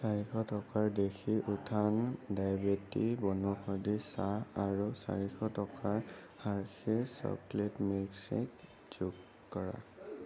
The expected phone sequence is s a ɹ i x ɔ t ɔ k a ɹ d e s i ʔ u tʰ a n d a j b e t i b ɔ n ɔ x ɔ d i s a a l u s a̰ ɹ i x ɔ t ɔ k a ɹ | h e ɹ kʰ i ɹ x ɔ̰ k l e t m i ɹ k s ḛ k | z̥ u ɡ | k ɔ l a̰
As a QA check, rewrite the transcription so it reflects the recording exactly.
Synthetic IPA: s a ɹ i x ɔ t ɔ k a ɹ d e x i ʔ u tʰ a n d a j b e t i b ɔ n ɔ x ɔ d i s a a ɹ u s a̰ ɹ i x ɔ t ɔ k a ɹ | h a ɹ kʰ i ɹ s ɔ̰ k l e t m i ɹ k s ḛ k | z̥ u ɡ | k ɔ ɹ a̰

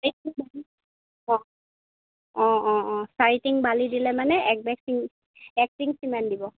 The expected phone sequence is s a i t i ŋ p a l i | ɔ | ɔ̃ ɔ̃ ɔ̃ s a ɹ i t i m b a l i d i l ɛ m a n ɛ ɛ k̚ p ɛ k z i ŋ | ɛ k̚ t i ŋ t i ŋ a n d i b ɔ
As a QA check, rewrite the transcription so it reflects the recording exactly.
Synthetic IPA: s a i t i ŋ b a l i | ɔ | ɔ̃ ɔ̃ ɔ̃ s a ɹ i t i ŋ b a l i d i l ɛ m a n ɛ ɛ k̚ b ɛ k s i ŋ | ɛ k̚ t i ŋ s i m a n d i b ɔ

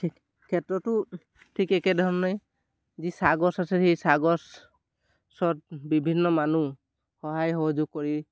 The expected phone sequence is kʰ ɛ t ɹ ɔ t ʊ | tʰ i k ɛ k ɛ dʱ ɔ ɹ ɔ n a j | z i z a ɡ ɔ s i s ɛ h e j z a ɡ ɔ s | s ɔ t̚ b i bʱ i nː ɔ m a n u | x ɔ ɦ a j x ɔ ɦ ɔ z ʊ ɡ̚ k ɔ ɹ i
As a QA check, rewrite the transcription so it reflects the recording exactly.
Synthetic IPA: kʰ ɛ t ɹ ɔ t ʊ | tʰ i k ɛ k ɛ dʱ ɔ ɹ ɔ n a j | z i s a ɡ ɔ s a s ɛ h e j s a ɡ ɔ s | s ɔ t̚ b i bʱ i nː ɔ m a n u | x ɔ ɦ a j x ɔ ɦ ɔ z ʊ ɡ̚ k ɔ ɹ i

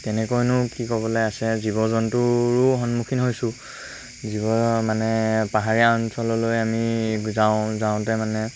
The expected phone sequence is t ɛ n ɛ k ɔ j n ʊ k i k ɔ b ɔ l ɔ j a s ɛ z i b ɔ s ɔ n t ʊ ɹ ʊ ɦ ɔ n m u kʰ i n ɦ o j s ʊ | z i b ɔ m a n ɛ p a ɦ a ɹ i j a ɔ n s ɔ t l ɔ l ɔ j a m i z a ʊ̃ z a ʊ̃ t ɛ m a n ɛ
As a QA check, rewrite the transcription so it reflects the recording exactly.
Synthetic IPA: t ɛ n ɛ k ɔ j n ʊ k i k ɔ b ɔ l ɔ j a s ɛ z i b ɔ z ɔ n t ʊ ɹ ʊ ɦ ɔ n m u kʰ i n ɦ o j s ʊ | z i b ɔ m a n ɛ p a ɦ a ɹ i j a ɔ n s ɔ l ɔ l o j a m i z a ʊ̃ z a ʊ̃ t ɛ m a n ɛ

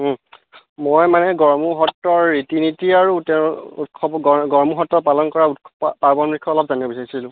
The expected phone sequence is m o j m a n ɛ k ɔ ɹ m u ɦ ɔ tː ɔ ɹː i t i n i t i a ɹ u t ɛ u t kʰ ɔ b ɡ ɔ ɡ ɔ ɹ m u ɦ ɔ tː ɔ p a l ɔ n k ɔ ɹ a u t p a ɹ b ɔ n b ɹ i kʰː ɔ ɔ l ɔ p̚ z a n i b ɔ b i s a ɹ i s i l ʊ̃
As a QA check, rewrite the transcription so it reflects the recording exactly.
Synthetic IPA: m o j m a n ɛ ɡ ɔ ɹ m u ɦ ɔ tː ɔ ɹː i t i n i t i a ɹ u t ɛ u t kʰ ɔ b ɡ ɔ ɡ ɔ ɹ m u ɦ ɔ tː ɔ p a l ɔ n k ɔ ɹ a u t p a ɹ b ɔ n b ɹ i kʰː ɔ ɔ l ɔ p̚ z a n i b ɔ b i s a ɹ i s i l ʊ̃

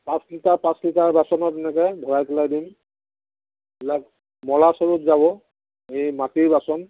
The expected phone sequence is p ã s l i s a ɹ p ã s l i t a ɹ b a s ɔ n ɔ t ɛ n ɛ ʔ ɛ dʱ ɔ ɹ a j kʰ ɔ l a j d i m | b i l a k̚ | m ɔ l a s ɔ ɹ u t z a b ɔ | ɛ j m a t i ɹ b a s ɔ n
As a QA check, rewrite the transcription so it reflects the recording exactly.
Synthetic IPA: p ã s l i t a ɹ p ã s l i t a ɹ b a s ɔ n ɔ t ɛ n ɛ k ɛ bʱ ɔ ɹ a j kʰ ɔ l a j d i m | b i l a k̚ | m ɔ l a s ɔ ɹ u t z a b ɔ | e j m a t i ɹ b a s ɔ n

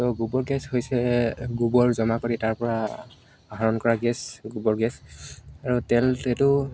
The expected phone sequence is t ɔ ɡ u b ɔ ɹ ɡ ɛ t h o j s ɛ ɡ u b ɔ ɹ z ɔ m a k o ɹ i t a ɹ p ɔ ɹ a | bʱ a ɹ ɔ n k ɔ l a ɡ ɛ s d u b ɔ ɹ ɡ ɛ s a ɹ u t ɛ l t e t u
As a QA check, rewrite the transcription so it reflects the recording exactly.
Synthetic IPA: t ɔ ɡ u b ɔ ɹ ɡ ɛ s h o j s ɛ ɡ u b ɔ ɹ z ɔ m a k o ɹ i t a ɹ p ɔ ɹ a | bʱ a ɹ ɔ n k ɔ ɹ a ɡ ɛ s ɡ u b ɔ ɹ ɡ ɛ s a ɹ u t ɛ l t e t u

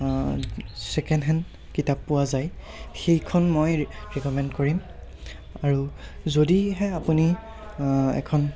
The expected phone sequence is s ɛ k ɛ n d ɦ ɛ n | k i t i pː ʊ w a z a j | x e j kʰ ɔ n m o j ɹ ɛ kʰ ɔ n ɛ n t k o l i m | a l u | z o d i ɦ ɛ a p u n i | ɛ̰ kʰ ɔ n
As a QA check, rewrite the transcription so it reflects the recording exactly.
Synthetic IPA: s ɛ k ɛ n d ɦ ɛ n | k i t a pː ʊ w a z a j | x e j kʰ ɔ n m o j ɹ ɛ k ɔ m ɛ n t k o ɹ i m | a ɹ u | z o d i ɦ ɛ a p u n i | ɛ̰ kʰ ɔ n

